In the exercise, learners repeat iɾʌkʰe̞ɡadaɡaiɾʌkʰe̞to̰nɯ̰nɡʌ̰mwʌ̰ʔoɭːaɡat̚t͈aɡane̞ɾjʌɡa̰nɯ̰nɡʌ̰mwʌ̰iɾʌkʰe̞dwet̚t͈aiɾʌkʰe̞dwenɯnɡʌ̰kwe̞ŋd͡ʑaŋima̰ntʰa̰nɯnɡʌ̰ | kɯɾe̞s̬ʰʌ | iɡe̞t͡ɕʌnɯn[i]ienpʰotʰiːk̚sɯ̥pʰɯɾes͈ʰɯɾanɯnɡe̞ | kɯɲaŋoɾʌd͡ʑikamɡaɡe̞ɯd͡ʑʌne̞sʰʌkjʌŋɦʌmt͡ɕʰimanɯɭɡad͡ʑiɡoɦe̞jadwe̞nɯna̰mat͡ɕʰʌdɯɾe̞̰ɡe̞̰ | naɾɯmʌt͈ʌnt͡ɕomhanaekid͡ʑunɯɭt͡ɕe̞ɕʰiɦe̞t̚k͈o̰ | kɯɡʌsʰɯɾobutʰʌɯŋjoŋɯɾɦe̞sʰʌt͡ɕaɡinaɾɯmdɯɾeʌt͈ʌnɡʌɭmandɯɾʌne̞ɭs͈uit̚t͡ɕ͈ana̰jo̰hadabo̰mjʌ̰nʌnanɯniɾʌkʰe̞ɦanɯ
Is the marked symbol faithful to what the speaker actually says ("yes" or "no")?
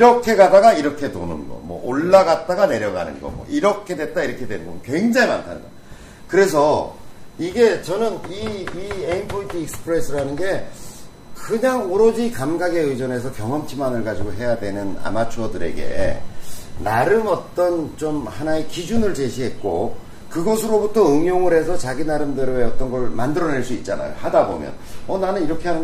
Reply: yes